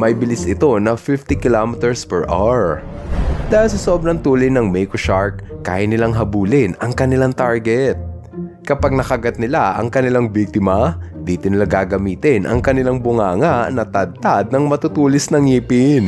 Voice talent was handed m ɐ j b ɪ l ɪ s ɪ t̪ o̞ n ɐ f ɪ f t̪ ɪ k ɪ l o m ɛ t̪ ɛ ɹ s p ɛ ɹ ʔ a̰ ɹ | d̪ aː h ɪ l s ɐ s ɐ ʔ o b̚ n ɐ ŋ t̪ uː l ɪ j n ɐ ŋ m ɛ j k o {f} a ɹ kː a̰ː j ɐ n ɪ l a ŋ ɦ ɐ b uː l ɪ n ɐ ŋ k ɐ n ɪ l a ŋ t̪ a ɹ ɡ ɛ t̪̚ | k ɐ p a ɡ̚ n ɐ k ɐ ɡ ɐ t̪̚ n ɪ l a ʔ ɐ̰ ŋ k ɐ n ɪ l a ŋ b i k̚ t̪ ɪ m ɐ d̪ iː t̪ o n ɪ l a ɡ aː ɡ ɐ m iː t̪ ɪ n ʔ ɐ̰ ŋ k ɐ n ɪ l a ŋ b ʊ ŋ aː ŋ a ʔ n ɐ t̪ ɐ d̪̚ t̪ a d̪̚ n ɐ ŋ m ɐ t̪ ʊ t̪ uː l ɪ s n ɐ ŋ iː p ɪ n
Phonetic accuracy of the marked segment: incorrect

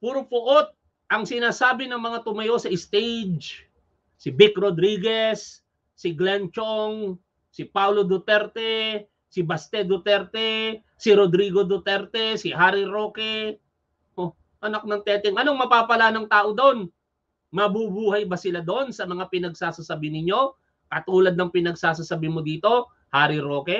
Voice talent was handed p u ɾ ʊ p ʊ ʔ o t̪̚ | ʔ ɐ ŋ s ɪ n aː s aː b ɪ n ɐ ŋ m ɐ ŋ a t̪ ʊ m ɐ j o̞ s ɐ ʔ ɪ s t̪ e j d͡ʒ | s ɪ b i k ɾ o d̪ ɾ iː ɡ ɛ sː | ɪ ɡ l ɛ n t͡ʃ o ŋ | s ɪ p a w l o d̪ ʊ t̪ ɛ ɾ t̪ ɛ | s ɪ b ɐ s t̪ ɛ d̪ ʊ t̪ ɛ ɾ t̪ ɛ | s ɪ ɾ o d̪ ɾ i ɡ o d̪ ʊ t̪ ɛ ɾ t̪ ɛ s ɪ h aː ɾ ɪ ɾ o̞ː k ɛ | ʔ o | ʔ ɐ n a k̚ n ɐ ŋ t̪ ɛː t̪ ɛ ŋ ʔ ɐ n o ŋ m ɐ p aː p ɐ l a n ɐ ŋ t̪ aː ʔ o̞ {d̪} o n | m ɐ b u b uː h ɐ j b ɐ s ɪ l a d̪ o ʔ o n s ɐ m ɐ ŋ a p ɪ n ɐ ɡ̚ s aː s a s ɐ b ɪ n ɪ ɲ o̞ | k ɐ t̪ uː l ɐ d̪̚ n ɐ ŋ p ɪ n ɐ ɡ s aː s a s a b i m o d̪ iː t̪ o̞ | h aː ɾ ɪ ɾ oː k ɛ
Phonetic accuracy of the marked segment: correct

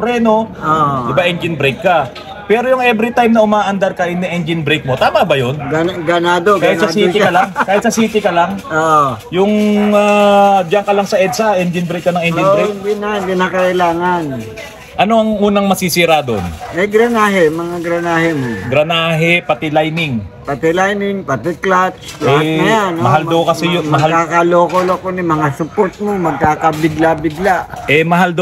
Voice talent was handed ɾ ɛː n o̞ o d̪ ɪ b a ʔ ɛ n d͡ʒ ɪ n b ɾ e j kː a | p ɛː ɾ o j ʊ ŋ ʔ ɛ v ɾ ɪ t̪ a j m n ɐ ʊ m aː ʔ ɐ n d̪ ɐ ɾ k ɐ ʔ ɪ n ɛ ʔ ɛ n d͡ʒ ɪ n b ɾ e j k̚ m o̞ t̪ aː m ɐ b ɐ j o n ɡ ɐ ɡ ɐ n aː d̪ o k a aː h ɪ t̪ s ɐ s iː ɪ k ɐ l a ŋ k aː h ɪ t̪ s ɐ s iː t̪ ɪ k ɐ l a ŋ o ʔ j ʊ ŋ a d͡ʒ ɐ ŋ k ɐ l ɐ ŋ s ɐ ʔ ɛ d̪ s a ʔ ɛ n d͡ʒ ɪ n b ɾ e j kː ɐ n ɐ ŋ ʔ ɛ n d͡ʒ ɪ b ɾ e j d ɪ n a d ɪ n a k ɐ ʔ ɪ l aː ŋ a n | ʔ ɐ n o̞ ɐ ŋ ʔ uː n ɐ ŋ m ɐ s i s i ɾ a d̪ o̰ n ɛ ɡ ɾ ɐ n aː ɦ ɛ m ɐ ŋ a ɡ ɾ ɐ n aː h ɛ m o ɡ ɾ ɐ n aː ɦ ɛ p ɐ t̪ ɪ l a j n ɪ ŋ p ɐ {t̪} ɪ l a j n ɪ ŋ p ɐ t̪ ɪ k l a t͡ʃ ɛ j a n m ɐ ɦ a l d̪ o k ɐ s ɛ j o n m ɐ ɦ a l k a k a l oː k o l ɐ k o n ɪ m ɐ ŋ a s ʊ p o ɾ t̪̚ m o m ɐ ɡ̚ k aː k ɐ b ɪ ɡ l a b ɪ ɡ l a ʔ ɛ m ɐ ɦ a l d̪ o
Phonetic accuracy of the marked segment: correct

